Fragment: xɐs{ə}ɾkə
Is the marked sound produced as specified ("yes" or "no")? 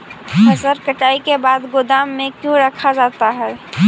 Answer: yes